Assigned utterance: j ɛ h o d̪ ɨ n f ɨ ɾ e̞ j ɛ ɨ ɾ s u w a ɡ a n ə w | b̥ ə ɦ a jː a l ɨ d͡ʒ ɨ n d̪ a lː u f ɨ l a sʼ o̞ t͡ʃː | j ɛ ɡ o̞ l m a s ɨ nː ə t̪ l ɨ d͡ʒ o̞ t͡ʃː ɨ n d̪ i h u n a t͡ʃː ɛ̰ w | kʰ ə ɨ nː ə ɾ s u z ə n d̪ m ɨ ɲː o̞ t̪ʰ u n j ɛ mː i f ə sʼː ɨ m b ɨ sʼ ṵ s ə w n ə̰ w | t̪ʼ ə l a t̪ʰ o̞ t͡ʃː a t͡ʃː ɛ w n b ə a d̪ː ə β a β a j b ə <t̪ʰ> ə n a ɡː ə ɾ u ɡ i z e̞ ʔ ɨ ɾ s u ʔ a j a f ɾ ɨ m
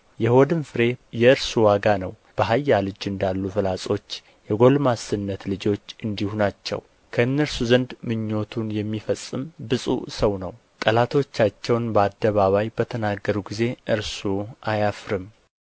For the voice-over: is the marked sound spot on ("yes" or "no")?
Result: yes